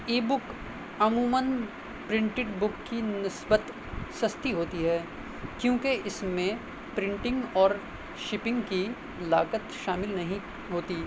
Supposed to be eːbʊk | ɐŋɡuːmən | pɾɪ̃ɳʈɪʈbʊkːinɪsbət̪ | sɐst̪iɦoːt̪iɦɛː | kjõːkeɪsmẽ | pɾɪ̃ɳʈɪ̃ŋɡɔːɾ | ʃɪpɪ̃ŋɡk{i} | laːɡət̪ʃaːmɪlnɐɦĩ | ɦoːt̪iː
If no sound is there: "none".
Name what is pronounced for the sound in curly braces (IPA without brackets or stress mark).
i